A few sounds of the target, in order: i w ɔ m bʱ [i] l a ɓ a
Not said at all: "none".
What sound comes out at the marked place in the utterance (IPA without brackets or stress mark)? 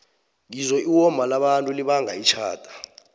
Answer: a